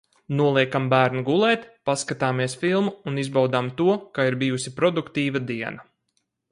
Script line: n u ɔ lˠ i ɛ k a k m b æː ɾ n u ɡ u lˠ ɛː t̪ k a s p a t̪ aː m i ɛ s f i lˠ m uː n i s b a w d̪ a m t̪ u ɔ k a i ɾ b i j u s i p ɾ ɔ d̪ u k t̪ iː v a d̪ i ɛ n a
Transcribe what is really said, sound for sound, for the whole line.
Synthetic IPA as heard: n u ɔ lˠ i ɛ k a m b æː ɾ n u ɡ u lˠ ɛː t̪ p a s k a t̪ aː m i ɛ s f i lˠ m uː n i z b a w d̪ a m t̪ u ɔ k a i ɾ b i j u s i p ɾ ɔ d̪ u k t̪ iː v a d̪ i ɛ n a